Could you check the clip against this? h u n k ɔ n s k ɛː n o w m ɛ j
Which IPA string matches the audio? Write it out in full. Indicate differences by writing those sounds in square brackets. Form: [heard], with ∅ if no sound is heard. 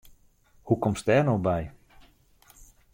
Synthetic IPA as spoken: h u [∅] k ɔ [m] s [t] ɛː n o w [b] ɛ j